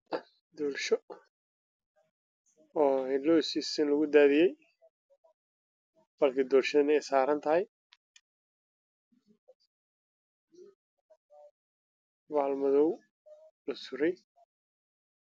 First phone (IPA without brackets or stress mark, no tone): d̪